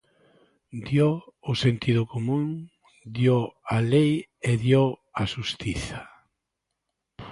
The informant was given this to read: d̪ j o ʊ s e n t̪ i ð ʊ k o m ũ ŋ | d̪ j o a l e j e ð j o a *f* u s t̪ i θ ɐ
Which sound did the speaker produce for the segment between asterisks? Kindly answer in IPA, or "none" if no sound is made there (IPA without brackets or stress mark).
ʃ